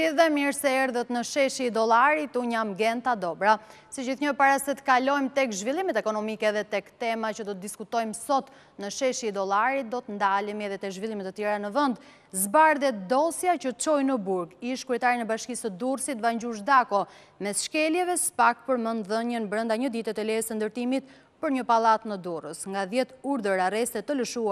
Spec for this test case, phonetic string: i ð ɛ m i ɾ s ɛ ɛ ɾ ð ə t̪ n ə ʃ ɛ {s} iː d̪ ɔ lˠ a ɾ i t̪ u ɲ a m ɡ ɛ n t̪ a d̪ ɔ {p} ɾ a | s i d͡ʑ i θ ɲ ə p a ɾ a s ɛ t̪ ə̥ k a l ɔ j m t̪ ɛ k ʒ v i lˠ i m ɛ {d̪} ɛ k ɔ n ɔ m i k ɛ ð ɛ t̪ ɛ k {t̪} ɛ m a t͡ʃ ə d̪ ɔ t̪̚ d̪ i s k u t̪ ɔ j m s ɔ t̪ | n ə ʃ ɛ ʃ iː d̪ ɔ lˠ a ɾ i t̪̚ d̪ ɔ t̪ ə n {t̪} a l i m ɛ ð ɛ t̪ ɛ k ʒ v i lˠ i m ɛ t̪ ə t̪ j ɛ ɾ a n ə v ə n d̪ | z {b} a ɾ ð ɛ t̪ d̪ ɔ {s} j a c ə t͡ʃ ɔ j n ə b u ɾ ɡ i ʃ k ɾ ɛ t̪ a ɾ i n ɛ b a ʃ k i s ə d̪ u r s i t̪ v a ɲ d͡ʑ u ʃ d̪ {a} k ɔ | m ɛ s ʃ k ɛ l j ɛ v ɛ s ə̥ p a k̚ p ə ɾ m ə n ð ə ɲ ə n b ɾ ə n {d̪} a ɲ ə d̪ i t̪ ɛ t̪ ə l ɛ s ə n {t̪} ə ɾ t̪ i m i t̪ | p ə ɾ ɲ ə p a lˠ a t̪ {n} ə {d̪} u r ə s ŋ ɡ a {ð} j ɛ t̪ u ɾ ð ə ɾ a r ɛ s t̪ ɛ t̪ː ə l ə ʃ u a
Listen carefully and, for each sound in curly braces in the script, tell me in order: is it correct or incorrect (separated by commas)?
incorrect, incorrect, incorrect, correct, incorrect, correct, correct, correct, correct, incorrect, correct, correct, correct